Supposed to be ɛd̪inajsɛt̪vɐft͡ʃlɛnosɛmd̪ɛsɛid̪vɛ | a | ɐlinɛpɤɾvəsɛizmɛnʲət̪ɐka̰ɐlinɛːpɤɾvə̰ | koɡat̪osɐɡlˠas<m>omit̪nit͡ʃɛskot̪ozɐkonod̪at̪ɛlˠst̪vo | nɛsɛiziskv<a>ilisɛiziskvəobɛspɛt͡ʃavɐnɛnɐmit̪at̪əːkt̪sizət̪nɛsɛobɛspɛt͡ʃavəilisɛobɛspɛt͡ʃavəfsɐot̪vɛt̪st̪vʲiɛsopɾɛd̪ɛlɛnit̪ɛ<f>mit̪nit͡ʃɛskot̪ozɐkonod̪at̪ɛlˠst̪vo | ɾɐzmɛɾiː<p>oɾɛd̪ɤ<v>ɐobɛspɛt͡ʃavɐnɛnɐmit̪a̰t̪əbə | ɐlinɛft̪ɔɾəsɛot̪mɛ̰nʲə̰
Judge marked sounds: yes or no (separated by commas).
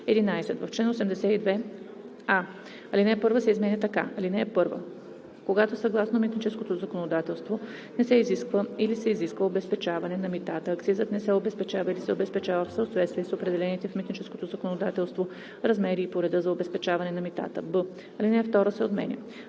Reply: no, no, yes, yes, no